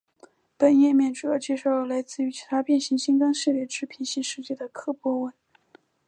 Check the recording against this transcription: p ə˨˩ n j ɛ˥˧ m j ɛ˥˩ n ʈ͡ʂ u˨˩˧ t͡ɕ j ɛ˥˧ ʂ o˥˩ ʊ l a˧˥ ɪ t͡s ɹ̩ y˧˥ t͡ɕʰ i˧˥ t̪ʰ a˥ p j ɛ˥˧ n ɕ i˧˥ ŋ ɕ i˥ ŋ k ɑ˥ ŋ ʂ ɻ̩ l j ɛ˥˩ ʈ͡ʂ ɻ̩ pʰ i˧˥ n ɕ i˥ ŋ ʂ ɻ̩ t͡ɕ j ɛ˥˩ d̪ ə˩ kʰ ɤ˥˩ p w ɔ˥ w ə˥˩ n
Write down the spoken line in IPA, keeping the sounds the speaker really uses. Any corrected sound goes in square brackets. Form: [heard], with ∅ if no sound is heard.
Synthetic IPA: p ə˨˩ n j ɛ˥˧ m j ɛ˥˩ n ʈ͡ʂ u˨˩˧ t͡ɕ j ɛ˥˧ ʂ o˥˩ ʊ l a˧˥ ɪ t͡s ɹ̩ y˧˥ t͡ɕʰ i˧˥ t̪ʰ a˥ p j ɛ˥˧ n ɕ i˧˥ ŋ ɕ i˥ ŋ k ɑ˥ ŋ ʂ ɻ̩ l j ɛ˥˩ ʈ͡ʂ ɻ̩ pʰ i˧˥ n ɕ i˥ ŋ ʂ ɻ̩ t͡ɕ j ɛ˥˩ d̪ ə˩ kʰ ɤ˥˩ p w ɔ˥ w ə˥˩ n